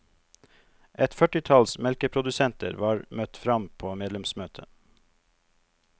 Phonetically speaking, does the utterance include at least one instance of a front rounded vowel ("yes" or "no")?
yes